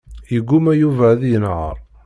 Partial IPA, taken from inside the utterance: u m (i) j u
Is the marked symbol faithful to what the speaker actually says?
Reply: no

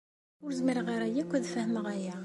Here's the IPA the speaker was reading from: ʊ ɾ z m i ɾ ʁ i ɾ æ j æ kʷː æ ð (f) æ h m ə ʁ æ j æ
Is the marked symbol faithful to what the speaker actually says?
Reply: yes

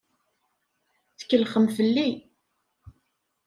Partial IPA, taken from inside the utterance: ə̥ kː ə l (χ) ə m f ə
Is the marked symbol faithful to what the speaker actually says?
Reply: yes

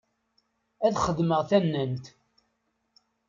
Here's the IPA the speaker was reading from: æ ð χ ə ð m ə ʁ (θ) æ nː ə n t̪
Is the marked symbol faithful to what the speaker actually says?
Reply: yes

